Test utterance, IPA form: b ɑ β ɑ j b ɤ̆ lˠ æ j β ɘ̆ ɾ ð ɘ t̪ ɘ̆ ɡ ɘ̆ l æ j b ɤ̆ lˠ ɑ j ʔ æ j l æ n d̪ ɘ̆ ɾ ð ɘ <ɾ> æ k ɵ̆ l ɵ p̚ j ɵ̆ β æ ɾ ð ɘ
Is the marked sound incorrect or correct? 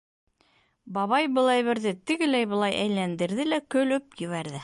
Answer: incorrect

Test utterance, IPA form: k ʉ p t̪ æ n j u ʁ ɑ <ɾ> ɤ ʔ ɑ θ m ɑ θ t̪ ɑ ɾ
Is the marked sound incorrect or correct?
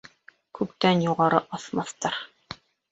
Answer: correct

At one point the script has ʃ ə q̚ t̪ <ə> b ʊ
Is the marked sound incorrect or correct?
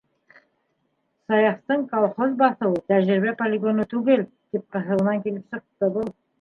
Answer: correct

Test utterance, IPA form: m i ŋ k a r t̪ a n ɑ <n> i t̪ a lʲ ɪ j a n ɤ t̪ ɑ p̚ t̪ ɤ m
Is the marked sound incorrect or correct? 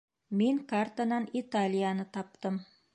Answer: correct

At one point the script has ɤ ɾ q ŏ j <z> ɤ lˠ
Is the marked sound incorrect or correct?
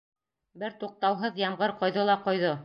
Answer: incorrect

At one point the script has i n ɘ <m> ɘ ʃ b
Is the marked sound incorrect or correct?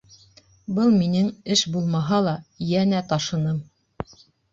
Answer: incorrect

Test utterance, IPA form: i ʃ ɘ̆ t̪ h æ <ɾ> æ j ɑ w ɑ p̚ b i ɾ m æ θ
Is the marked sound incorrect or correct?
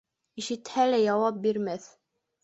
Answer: incorrect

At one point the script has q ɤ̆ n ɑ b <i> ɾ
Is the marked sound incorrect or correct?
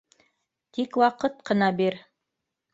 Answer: correct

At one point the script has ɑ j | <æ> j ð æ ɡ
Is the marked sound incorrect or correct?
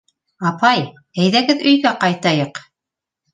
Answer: correct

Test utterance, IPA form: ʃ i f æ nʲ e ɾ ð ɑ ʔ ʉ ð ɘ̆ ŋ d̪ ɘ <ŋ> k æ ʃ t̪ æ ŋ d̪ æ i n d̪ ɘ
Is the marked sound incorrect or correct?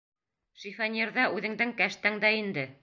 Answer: correct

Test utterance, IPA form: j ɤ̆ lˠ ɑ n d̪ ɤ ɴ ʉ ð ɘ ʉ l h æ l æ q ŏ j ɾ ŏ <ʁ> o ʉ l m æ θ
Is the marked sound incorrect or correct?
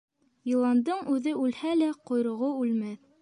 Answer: correct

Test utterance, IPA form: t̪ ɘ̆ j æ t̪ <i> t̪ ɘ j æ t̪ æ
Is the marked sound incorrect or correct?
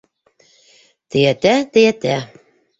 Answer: incorrect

